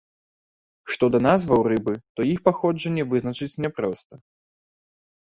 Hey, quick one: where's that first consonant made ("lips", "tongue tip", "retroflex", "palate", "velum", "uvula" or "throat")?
retroflex